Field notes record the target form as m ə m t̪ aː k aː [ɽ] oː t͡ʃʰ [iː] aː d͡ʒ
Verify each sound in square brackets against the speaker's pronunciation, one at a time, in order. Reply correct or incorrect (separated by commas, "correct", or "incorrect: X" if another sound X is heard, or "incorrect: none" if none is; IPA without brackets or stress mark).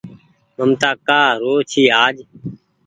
incorrect: ɾ, correct